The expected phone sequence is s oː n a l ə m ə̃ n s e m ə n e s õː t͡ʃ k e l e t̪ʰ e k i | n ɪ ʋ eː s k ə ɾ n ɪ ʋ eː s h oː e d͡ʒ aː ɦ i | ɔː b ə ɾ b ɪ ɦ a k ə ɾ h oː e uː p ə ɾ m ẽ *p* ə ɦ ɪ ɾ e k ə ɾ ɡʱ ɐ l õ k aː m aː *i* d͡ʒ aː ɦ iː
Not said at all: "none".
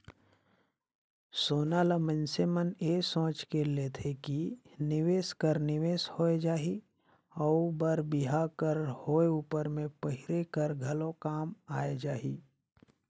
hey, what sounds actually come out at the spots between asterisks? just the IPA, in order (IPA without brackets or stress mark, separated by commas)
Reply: p, e